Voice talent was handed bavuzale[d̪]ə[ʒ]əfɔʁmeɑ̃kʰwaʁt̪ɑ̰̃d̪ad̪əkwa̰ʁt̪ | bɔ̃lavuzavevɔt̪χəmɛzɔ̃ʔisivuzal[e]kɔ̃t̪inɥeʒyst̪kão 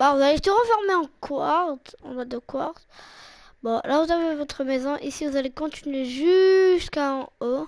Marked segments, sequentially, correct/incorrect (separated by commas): incorrect, incorrect, correct